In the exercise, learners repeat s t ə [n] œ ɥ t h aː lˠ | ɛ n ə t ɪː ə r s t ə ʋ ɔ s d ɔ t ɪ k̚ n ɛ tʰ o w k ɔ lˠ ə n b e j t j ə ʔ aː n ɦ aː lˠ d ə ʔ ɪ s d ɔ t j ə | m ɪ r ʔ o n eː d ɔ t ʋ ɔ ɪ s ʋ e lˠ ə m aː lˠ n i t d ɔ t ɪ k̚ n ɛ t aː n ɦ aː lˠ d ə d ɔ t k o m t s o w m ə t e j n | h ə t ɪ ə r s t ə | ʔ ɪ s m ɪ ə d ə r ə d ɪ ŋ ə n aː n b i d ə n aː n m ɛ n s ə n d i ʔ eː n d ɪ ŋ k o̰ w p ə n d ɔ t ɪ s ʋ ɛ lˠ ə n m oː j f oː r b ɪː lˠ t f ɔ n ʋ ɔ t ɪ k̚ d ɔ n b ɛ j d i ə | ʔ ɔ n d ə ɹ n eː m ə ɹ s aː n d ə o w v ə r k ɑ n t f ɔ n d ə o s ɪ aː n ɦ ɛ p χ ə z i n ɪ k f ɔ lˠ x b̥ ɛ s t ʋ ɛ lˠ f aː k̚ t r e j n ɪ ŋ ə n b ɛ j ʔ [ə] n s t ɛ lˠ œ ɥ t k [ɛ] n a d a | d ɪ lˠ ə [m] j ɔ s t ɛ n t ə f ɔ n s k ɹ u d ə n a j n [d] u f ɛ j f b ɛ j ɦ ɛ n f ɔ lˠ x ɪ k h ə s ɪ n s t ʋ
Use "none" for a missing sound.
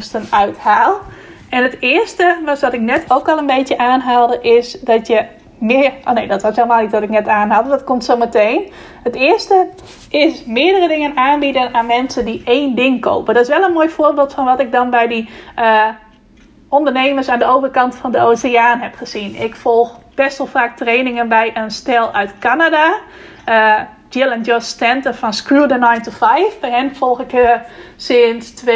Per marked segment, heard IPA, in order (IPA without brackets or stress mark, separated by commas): n, ə, a, n, t